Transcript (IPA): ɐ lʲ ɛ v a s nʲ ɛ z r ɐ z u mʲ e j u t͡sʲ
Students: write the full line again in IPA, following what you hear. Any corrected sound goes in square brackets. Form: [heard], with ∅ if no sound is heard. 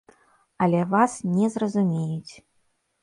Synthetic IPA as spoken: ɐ lʲ ɛ v a s nʲ ɛ z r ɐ z u mʲ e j u t͡sʲ

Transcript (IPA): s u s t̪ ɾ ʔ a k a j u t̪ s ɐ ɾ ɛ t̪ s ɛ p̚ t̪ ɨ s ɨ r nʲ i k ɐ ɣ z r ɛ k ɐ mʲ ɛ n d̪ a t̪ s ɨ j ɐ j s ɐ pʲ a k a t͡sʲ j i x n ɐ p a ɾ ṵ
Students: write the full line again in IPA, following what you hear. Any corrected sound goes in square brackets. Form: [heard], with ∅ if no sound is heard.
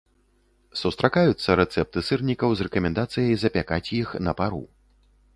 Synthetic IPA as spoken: s u s t̪ ɾ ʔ a k a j u t̪ [sː] ɐ ɾ ɛ t̪ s ɛ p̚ t̪ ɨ s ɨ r nʲ i k ɐ [w] z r ɛ k ɐ mʲ ɛ n d̪ a t̪ s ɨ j ɐ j [z] ɐ pʲ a k a t͡sʲ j i x n ɐ p a ɾ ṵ

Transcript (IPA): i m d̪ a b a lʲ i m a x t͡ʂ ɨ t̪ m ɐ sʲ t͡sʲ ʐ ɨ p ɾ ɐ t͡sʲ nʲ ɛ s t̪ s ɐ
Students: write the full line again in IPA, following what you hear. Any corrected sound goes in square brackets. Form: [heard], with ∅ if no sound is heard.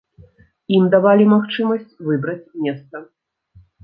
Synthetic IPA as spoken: i m d̪ a [v] a lʲ i m a x t͡ʂ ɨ [∅] m ɐ sʲ t͡sʲ [v] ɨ [b] ɾ ɐ t͡sʲ [mʲ] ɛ s t̪ s ɐ

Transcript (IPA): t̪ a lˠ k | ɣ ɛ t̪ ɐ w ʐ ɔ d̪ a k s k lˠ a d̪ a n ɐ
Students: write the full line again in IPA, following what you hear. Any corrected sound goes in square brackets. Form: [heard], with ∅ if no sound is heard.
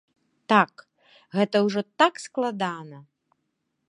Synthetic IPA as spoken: t̪ a [∅] k | ɣ ɛ t̪ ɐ w ʐ ɔ [t̪] a k s k lˠ a d̪ a n ɐ

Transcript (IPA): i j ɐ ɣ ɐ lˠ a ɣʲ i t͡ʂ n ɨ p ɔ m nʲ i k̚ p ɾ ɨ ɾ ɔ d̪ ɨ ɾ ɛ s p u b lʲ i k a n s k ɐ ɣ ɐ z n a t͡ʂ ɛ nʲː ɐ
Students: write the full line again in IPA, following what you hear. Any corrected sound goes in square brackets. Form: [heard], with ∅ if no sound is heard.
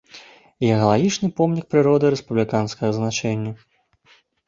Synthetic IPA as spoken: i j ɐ ɣ ɐ lˠ a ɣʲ i t͡ʂ n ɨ p ɔ m nʲ i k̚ p ɾ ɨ ɾ ɔ d̪ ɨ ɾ ɛ s p u b lʲ i k a n s k ɐ ɣ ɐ z n a t͡ʂ ɛ nʲː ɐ

